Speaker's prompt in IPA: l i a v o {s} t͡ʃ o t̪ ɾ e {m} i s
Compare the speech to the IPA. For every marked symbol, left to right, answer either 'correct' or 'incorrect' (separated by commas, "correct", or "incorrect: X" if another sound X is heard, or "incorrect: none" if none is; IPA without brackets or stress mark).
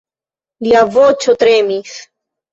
incorrect: none, correct